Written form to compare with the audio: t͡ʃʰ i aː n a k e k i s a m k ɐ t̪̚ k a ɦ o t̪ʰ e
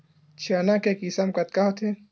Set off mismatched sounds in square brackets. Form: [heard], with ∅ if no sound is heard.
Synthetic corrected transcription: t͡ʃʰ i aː n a k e k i s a m k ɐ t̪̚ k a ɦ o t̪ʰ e

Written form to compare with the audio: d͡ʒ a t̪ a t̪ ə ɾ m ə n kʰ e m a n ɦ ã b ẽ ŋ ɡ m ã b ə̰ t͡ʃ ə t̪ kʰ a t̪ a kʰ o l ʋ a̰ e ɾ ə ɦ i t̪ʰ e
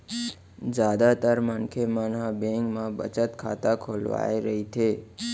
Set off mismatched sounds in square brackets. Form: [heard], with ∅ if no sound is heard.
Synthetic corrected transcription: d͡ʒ a [d̪] a t̪ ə ɾ m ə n kʰ e m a n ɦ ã b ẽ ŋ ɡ m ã b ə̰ t͡ʃ ə t̪ kʰ a t̪ a kʰ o l ʋ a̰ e ɾ ə ɦ i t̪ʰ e

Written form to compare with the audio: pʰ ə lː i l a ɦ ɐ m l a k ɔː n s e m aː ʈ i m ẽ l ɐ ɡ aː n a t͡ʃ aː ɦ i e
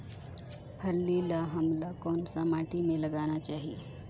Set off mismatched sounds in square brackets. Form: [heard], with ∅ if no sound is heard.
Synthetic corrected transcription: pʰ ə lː i l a ɦ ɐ m l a k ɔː n s [a] m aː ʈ i m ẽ l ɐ ɡ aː n a t͡ʃ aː ɦ i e

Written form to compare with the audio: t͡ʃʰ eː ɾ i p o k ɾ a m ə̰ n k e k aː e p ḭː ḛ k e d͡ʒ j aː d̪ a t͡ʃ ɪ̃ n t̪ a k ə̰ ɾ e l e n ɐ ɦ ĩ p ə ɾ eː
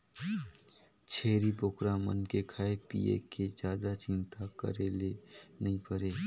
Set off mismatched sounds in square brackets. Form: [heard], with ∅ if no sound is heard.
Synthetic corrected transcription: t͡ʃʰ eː ɾ i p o k ɾ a m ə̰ n k e [kʰ] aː e p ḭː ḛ k e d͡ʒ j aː d̪ a t͡ʃ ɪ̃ n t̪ a k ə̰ ɾ e l e n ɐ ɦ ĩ p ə ɾ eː

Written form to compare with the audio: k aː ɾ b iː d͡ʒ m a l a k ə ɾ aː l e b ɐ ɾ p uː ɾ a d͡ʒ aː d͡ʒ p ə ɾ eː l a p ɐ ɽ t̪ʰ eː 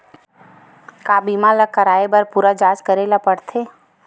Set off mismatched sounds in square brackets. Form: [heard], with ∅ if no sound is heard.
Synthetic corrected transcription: k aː [∅] b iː [∅] m a l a k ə ɾ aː [∅] e b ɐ ɾ p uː ɾ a d͡ʒ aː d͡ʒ [k] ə ɾ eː l a p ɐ ɽ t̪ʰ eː

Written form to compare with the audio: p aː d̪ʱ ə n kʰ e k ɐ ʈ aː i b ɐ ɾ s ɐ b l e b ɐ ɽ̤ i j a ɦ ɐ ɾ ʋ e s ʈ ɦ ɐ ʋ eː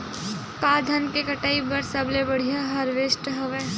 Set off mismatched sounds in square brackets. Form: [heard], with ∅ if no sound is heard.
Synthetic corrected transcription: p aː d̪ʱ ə n [k] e k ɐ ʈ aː i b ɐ ɾ s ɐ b l e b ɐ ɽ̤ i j a ɦ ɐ ɾ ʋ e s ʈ ɦ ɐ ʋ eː

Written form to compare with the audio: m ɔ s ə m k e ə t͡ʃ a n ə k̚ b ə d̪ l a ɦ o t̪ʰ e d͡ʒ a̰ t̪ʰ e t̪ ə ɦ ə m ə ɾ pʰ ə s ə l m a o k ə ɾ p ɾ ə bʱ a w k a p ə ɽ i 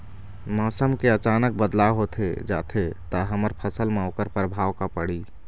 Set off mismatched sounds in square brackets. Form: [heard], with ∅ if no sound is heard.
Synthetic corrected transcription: m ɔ s ə m k e ə t͡ʃ a n ə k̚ b ə d̪ l a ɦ o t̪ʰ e d͡ʒ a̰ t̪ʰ e t̪ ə ɦ ə m ə ɾ pʰ ə s ə l m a o k ə ɾ p ɾ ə bʱ a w k a p ə ɽ i

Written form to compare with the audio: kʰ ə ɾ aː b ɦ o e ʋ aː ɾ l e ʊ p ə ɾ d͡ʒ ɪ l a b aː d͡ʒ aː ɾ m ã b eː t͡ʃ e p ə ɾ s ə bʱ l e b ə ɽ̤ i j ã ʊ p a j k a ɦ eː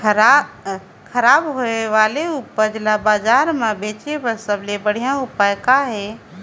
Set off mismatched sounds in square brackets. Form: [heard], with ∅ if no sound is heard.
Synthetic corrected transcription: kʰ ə ɾ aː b ɦ o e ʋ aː [∅] l e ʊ p ə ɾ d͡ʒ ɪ l a b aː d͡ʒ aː ɾ m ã b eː t͡ʃ e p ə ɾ s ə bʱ l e b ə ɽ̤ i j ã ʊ p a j k a ɦ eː

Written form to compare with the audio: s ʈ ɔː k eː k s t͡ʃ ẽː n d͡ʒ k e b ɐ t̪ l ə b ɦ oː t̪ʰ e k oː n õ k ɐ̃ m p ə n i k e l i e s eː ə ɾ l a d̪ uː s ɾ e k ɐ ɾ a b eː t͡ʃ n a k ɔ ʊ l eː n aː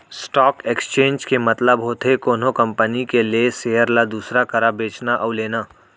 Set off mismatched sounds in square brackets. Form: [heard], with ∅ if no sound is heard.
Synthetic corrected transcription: s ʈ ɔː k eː k s t͡ʃ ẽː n d͡ʒ k e [m] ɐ t̪ l ə b ɦ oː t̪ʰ e k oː n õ k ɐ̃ m p ə n i k e l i e s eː ə ɾ l a d̪ uː s ɾ [a] k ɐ ɾ a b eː t͡ʃ n a [ʔ] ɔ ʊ l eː n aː

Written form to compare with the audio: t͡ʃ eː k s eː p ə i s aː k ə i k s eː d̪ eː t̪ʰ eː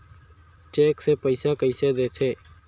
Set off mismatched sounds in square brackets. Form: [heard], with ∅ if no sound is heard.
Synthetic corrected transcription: t͡ʃ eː k s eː p ə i s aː k ə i [∅] s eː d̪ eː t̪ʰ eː

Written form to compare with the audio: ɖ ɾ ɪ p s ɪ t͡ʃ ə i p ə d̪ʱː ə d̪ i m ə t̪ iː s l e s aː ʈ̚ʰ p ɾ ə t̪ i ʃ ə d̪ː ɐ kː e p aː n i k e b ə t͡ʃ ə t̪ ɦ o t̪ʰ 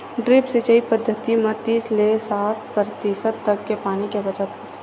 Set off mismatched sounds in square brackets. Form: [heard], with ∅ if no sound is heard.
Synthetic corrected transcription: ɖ ɾ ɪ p s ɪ t͡ʃ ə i p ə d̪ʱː ə [t̪] i m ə t̪ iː s l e s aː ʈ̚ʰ p ɾ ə t̪ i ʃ ə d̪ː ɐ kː e p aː n i k e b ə t͡ʃ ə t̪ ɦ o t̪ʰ

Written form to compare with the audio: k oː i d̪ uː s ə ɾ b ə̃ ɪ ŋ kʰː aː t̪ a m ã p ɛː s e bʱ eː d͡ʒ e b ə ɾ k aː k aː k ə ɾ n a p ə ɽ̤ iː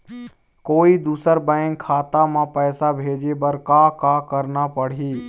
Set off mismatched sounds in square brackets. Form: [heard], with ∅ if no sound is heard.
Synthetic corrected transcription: k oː i d̪ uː s ə ɾ b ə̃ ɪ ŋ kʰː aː t̪ a m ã p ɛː s [a] bʱ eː d͡ʒ e b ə ɾ k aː k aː k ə ɾ n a p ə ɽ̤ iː

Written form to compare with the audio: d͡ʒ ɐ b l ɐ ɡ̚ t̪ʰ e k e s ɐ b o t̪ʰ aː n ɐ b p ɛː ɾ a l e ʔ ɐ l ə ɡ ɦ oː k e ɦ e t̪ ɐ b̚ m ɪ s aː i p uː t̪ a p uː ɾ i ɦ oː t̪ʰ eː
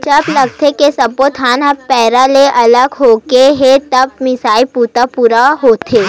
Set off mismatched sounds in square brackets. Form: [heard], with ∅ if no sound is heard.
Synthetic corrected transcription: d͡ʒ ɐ b l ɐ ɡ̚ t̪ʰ e k e s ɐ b o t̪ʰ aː n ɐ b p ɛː ɾ a l e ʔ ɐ l ə ɡ ɦ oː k e ɦ e t̪ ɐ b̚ m ɪ s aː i p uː t̪ a p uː ɾ [a] ɦ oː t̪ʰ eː

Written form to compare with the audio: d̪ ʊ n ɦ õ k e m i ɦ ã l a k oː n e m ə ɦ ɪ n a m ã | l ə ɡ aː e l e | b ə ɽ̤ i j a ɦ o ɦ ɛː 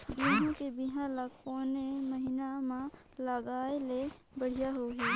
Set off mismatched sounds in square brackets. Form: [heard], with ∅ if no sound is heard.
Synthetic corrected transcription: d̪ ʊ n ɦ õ k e [b] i ɦ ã l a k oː n e m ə ɦ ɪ n a m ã | l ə ɡ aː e l e | b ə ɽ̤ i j a ɦ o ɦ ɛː

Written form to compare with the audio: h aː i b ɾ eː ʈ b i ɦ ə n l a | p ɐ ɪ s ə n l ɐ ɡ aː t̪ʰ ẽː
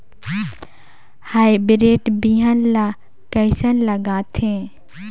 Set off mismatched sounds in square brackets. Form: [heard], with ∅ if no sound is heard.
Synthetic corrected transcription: h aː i b ɾ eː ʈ b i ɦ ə n l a | [k] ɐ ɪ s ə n l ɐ ɡ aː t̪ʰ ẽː

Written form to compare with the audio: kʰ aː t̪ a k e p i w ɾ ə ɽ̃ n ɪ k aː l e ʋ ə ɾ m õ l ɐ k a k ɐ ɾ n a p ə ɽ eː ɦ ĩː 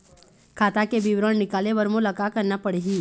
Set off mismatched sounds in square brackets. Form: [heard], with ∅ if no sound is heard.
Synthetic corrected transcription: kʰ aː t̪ a k e [b] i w ɾ ə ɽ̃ n ɪ k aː l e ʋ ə ɾ m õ l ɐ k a k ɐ ɾ n a p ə ɽ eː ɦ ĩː

